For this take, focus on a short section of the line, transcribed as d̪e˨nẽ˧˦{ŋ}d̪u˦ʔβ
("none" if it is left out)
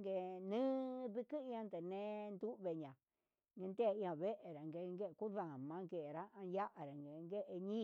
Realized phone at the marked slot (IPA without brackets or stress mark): n